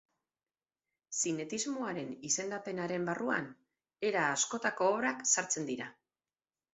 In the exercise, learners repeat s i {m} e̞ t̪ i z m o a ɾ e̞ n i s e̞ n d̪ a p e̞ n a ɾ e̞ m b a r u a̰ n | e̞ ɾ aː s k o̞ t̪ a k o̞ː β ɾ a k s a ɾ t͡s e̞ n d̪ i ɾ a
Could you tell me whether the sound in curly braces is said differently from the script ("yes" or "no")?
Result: yes